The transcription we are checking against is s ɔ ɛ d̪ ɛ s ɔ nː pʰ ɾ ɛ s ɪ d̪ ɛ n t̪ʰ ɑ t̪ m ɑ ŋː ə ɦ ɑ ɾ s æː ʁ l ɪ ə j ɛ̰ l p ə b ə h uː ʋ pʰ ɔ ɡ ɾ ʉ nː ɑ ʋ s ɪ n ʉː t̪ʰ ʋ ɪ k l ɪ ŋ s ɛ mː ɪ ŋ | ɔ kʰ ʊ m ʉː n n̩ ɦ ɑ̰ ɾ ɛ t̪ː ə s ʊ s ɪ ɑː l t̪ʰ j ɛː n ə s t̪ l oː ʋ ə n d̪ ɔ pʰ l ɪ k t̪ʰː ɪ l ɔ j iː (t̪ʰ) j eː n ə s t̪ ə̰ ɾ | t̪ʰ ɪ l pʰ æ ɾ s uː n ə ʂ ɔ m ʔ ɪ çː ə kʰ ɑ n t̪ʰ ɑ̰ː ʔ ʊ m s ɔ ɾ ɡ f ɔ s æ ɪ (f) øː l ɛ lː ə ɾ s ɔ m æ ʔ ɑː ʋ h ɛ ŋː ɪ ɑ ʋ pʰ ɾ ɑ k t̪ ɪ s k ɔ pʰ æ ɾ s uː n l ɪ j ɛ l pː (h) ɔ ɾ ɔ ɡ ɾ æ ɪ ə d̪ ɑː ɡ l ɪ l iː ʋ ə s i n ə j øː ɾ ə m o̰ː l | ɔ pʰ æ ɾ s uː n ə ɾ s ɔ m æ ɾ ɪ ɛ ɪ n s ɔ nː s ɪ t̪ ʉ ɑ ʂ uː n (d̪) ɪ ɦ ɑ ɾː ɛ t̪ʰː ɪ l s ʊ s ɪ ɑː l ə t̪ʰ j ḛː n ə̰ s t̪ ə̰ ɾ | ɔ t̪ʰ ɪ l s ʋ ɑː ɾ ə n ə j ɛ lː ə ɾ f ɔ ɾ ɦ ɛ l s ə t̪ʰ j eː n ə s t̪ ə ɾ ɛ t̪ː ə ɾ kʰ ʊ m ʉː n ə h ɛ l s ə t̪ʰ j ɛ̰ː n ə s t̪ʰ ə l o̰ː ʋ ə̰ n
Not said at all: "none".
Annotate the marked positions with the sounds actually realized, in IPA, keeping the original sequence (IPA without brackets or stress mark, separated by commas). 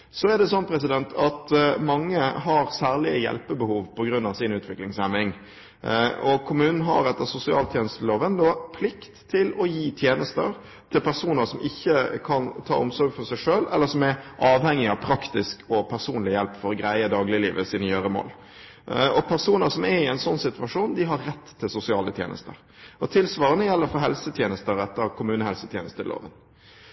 t̪ʰ, ʂ, f, d̪